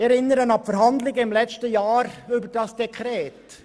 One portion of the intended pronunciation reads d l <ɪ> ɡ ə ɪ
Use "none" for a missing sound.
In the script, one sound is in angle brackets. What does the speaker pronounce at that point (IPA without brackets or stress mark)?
ɪ